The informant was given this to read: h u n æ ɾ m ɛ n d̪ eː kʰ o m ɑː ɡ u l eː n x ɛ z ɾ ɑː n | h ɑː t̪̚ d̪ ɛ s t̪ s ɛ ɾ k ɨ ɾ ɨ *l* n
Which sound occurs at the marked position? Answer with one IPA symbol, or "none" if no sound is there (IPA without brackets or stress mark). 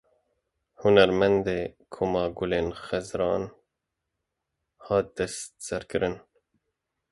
none